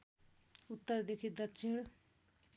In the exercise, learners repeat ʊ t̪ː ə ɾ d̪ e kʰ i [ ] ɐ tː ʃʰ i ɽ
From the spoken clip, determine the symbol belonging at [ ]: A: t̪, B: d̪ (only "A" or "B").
B